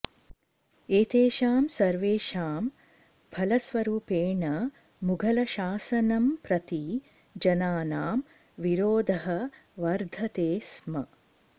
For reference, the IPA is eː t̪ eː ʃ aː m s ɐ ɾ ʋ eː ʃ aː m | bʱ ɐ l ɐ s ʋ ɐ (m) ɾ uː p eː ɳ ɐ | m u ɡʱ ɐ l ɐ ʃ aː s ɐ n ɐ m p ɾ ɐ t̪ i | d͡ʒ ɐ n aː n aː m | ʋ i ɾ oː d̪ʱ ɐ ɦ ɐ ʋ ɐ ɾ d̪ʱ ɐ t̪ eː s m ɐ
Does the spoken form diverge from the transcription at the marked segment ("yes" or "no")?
yes